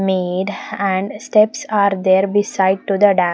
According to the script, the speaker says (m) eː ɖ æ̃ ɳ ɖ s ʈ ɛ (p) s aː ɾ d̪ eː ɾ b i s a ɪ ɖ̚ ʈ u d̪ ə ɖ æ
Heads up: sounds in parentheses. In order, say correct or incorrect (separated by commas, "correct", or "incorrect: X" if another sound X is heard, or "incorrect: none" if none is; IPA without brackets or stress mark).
correct, correct